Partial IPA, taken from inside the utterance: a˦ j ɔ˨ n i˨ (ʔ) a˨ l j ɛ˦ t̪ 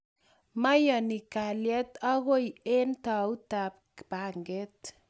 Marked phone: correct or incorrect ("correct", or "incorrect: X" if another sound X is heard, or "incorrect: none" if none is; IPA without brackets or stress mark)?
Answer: incorrect: k